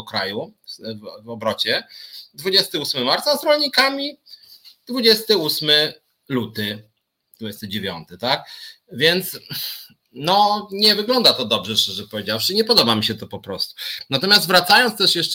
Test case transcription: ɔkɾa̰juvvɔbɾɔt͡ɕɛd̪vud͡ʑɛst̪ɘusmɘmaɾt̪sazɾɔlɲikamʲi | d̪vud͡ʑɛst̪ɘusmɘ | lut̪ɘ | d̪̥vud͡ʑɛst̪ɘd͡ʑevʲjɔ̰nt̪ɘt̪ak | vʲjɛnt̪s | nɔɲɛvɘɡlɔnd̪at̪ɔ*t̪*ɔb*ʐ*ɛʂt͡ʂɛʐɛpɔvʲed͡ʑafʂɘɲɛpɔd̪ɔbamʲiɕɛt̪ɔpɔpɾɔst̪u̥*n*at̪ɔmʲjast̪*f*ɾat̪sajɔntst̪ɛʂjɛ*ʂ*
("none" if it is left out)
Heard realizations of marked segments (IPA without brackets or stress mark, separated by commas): d̪, ʐ, n, v, ʂ